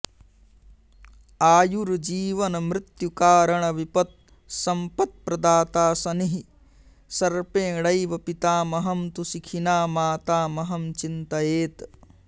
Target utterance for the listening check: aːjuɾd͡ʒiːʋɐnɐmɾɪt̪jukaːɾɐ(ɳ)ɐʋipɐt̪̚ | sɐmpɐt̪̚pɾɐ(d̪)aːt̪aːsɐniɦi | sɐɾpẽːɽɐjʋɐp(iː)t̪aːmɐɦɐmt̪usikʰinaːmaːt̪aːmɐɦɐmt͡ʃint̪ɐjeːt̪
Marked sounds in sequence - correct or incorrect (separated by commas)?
correct, correct, incorrect